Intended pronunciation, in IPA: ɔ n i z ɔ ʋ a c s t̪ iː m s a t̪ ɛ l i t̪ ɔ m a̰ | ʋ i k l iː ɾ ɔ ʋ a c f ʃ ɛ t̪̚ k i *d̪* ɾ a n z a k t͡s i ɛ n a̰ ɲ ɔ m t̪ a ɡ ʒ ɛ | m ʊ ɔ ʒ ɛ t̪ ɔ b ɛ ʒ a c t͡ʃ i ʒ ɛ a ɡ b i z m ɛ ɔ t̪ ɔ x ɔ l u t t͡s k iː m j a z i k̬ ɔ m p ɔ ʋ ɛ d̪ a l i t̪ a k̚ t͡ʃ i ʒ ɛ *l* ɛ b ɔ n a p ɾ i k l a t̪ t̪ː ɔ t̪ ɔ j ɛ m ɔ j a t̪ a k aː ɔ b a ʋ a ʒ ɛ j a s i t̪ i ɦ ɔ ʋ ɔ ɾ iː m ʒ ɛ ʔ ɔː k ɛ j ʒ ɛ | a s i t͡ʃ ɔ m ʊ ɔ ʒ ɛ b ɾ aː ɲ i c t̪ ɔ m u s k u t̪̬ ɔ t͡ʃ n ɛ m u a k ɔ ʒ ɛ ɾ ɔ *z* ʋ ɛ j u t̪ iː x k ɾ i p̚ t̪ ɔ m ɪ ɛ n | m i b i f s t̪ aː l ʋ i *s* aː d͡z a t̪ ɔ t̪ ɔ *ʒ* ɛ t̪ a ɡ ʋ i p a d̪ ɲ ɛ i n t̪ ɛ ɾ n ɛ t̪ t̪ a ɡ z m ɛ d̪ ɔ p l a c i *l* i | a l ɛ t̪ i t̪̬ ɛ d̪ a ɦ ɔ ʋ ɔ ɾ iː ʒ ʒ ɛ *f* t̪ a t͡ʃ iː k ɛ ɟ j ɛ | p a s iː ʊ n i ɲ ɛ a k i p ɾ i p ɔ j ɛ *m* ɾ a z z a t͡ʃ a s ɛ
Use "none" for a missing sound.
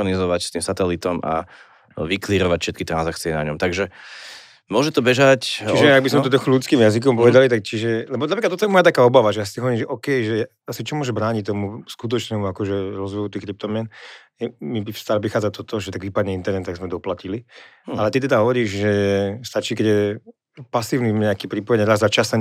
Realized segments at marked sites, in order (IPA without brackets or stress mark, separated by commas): t̪, l, z, x, ʒ, l, s, ɲ